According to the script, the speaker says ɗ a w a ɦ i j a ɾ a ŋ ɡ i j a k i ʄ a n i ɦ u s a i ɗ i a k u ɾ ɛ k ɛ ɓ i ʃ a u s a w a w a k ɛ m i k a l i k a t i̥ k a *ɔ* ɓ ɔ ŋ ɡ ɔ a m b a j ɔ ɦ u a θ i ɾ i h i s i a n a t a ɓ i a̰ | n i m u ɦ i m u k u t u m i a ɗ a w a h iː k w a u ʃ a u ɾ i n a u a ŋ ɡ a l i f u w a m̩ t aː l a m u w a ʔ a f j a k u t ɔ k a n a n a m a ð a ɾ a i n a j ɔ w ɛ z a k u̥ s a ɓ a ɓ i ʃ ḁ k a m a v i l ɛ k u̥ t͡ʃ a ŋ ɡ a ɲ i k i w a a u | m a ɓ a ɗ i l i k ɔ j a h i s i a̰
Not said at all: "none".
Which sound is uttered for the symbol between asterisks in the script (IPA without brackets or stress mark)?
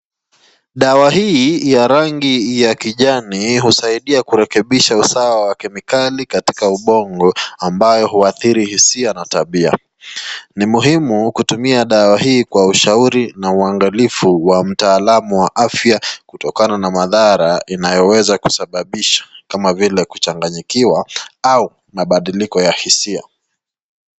u